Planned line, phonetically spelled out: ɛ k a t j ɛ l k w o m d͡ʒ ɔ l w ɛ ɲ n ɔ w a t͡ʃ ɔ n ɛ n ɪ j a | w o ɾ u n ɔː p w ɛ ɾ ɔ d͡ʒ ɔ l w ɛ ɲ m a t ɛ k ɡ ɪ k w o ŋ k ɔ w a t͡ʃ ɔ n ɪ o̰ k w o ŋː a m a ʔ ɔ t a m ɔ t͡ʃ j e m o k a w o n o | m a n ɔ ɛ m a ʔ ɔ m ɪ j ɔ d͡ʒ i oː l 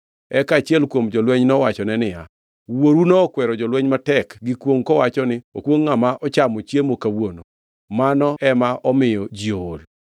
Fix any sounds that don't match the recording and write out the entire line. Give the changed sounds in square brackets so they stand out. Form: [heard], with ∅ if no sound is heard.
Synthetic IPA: ɛ k a [t͡ʃ] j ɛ l k w o m d͡ʒ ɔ l w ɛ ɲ n ɔ w a t͡ʃ ɔ n ɛ n ɪ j a | w o ɾ u n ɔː [k] w ɛ ɾ ɔ d͡ʒ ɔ l w ɛ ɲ m a t ɛ k ɡ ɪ k w o ŋ k ɔ w a t͡ʃ ɔ n ɪ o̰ k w o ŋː a m a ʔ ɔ [t͡ʃ] a m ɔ t͡ʃ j e m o k a w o n o | m a n ɔ ɛ m a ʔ ɔ m ɪ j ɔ d͡ʒ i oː l